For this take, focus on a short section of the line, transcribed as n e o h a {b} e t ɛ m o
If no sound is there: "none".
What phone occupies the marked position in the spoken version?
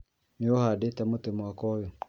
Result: d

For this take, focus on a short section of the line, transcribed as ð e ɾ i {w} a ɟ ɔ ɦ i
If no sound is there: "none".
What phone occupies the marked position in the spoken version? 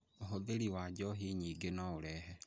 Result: w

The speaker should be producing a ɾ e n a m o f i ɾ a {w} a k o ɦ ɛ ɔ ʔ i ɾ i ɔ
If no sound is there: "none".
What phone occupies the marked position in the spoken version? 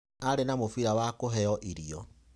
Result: w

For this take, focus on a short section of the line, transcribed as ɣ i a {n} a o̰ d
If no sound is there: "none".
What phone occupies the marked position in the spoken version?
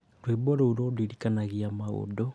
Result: m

